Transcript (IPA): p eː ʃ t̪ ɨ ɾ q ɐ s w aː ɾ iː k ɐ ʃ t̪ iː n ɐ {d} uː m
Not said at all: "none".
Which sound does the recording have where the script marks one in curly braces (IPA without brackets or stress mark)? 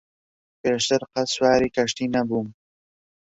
b